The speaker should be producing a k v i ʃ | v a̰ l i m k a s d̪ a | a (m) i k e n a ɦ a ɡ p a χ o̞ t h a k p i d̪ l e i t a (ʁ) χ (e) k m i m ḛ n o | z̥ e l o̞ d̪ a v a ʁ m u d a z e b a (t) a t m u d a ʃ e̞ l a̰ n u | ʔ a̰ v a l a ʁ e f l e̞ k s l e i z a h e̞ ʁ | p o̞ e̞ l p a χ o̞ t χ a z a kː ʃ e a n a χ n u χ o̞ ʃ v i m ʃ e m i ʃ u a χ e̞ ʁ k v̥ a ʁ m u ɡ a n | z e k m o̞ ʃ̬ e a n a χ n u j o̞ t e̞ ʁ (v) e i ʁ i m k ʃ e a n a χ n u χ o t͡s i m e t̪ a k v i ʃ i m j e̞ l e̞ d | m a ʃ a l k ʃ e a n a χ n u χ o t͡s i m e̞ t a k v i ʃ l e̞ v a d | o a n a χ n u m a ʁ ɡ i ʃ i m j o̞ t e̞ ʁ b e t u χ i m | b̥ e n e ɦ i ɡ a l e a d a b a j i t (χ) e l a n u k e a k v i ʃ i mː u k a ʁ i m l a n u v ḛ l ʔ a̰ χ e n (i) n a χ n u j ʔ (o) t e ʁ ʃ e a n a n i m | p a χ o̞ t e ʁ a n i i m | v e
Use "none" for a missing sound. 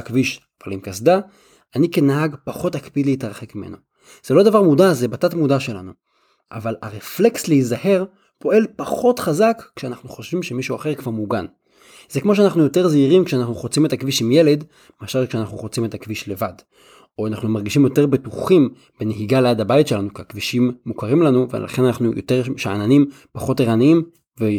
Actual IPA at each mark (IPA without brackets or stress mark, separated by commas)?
n, ʁ, e, t, z, ʃ, a, o